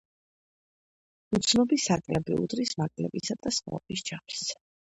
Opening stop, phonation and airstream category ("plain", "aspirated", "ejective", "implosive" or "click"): plain